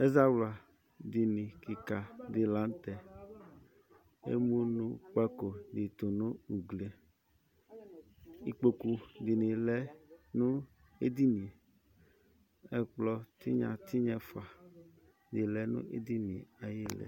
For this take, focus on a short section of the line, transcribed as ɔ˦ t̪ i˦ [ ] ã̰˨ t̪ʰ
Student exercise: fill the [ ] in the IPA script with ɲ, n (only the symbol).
ɲ